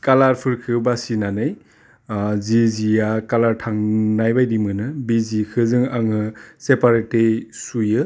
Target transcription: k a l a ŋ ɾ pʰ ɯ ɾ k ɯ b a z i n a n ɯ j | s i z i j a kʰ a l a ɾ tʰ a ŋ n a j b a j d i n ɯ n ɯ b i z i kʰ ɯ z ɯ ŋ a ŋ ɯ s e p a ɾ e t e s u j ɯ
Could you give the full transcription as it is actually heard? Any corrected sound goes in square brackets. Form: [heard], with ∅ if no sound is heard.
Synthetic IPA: k a l a [∅] ɾ pʰ ɯ ɾ [kʰ] ɯ b a [s] i n a n ɯ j | [z] i z i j a [k] a l a ɾ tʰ a ŋ n a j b a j d i [m] ɯ n ɯ b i z i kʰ ɯ z ɯ ŋ a ŋ ɯ s e p a ɾ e t e s u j ɯ